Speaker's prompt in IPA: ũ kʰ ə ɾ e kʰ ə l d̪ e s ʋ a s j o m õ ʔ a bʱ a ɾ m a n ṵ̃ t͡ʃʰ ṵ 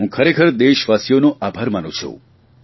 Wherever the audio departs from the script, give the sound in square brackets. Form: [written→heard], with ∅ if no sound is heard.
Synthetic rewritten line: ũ kʰ ə ɾ e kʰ ə [l→ɾ] d̪ e [s→ʃ] ʋ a s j o [m→n] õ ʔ a bʱ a ɾ m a n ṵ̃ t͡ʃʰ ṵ